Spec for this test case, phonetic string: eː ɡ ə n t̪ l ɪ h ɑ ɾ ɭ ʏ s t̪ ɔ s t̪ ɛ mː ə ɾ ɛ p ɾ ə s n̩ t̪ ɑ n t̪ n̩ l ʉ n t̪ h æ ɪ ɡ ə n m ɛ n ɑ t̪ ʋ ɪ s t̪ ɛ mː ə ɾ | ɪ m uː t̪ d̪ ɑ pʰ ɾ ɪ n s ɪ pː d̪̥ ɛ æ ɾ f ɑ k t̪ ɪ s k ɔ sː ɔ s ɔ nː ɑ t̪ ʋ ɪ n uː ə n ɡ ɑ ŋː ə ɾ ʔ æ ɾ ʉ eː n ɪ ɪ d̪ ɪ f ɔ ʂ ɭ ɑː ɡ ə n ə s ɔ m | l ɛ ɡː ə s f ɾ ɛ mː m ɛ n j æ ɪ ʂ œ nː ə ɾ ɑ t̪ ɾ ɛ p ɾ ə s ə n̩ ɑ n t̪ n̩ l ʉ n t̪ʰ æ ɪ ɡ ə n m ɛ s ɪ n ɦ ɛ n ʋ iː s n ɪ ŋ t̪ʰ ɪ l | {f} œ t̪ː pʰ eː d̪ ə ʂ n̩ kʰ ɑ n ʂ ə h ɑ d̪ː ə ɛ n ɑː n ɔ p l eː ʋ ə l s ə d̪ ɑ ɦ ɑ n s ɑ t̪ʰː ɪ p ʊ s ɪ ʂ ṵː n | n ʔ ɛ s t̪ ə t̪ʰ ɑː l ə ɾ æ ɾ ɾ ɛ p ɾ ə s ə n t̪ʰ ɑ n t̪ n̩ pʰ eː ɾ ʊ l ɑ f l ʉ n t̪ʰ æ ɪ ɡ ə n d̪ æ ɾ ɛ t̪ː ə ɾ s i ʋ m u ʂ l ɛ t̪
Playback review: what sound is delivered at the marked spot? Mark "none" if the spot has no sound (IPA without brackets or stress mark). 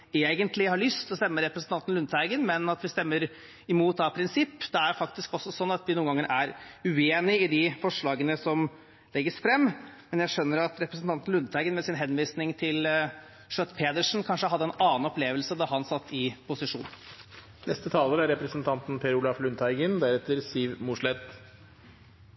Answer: ʂ